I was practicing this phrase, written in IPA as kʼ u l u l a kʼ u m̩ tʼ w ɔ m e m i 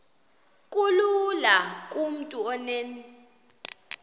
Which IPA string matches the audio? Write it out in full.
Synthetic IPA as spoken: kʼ u l u l a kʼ u m̩ tʼ u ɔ n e n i